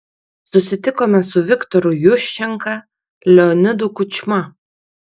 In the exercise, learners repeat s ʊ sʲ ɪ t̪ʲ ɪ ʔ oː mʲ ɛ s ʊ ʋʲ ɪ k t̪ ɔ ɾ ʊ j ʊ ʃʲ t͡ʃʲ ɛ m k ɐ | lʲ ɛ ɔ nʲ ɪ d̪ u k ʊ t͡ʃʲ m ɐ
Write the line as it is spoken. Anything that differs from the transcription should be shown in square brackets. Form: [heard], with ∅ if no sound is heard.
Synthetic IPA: s ʊ sʲ ɪ t̪ʲ ɪ [k] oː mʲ ɛ s ʊ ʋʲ ɪ k t̪ ɔ ɾ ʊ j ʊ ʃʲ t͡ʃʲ ɛ [ŋ] k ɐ | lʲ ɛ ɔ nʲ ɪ d̪ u k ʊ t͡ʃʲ m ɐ